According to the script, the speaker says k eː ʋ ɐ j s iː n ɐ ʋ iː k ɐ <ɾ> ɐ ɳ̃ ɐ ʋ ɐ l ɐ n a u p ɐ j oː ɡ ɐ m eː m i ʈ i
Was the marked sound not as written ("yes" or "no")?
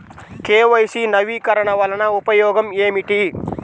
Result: no